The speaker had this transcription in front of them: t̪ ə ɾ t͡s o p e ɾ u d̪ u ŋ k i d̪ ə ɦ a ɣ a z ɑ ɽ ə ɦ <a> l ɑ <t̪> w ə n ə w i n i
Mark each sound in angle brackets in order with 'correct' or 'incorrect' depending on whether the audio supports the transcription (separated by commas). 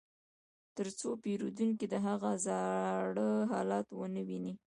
incorrect, correct